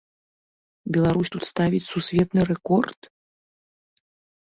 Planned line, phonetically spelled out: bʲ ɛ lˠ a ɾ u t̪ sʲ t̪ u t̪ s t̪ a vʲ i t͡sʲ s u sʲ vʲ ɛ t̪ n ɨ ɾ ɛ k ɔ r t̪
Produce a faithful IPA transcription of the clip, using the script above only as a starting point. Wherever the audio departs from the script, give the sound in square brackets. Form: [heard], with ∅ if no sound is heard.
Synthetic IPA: bʲ ɛ lˠ a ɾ u [∅] sʲ t̪ u t̪ s t̪ a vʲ i t͡sʲ s u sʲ vʲ ɛ t̪ n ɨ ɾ ɛ k ɔ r t̪